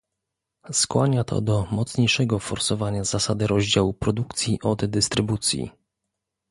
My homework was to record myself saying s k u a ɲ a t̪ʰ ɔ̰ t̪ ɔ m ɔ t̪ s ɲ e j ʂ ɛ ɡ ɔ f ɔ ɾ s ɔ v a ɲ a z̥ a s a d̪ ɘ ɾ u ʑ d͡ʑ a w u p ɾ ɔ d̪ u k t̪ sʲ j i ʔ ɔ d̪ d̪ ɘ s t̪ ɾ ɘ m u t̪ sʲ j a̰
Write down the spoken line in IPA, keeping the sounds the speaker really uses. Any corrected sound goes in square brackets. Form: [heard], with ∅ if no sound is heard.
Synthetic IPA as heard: s k [w] a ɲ a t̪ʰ ɔ̰ [d̪] ɔ m ɔ t̪ s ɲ e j ʂ ɛ ɡ ɔ f ɔ ɾ s ɔ v a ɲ a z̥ a s a d̪ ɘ ɾ [ɔ] ʑ d͡ʑ a w u p ɾ ɔ d̪ u k t̪ sʲ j i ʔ ɔ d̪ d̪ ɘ s t̪ ɾ ɘ [b] u t̪ sʲ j [ḭ]